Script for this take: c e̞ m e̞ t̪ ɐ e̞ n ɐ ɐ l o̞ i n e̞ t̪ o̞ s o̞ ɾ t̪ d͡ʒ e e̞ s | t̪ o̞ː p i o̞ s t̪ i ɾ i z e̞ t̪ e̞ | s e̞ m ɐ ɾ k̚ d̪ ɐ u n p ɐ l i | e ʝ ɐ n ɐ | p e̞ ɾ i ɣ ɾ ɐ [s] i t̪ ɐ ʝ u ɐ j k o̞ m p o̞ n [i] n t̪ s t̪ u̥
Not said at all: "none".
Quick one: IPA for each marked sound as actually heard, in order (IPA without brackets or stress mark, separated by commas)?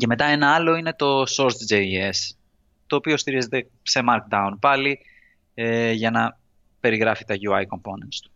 f, e